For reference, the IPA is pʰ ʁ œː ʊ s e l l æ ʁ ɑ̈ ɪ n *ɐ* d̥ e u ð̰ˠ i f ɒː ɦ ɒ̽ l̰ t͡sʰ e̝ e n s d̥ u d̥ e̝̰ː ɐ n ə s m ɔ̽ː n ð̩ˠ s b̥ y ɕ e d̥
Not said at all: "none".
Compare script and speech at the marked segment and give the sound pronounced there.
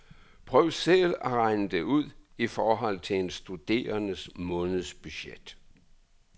ə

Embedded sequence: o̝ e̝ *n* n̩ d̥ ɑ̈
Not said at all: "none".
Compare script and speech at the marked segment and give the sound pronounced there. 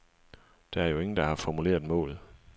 ŋ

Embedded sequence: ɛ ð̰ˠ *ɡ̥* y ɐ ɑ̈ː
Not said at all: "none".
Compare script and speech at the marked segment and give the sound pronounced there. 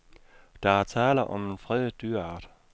d̥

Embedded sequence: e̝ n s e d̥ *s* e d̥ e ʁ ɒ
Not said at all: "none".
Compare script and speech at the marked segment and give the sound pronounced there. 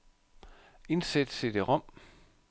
s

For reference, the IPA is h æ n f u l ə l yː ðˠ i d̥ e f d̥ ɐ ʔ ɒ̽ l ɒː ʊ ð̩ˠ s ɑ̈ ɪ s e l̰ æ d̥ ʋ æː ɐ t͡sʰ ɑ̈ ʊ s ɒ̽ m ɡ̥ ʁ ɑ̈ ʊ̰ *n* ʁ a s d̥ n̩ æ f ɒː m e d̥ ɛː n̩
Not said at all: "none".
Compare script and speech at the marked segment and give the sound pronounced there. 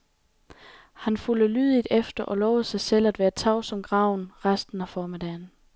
n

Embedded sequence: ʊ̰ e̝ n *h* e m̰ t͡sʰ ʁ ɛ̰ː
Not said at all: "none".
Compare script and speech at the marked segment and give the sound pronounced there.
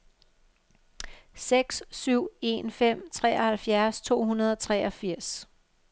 f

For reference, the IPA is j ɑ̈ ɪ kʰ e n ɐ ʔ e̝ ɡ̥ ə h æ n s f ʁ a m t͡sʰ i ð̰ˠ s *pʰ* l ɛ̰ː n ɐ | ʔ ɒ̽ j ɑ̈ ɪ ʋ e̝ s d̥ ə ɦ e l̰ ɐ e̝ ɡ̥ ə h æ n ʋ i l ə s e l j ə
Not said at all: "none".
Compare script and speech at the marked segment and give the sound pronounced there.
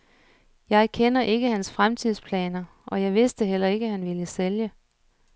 pʰ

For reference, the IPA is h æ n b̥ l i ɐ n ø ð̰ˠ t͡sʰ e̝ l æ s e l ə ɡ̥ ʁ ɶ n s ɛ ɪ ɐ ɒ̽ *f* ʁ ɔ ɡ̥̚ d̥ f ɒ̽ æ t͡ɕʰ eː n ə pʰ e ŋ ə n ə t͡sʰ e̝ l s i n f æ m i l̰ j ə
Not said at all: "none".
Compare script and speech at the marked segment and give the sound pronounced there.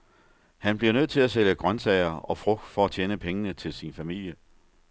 f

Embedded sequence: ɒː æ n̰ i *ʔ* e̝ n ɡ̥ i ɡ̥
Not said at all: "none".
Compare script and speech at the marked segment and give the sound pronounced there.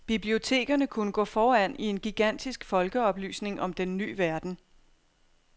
none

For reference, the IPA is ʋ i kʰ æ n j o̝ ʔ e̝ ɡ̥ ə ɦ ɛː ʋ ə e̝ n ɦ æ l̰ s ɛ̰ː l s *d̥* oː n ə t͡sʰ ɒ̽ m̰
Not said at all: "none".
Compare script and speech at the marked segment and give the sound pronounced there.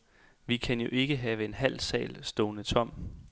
d̥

